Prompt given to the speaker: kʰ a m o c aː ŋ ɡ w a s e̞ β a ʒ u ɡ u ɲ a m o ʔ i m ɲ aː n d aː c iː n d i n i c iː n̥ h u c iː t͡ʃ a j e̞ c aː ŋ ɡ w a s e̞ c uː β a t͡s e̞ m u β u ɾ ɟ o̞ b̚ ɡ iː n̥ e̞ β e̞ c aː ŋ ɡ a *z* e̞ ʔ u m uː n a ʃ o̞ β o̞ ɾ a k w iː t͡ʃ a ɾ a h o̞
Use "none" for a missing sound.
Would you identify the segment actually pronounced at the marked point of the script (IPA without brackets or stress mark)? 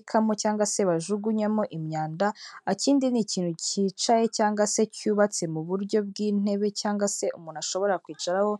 s